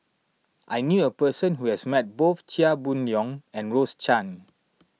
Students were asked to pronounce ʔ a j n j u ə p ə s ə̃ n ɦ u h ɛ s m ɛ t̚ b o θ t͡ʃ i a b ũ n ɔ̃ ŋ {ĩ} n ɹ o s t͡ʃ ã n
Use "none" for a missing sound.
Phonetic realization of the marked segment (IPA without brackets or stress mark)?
ɛ̃